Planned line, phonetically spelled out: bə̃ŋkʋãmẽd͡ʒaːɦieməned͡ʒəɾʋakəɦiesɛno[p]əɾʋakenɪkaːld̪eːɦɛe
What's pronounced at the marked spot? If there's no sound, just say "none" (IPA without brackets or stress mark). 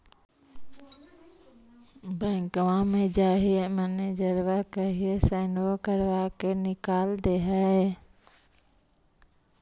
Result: k